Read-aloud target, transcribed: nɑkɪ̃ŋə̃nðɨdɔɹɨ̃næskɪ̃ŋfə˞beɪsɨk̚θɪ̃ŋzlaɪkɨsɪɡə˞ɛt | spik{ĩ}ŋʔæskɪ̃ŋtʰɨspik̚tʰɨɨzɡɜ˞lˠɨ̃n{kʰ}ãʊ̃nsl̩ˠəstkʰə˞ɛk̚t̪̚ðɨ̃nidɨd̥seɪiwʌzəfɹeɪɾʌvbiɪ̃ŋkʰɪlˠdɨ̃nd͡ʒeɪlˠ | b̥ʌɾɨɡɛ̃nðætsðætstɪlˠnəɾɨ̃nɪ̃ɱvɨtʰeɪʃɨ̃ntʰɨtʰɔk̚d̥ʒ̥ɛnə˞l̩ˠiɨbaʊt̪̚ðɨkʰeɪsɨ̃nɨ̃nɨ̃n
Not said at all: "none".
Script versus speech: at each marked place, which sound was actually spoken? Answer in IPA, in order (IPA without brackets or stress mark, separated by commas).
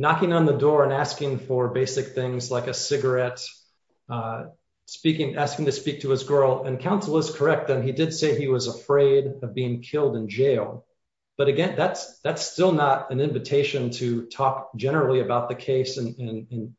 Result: ɪ̃, kʰ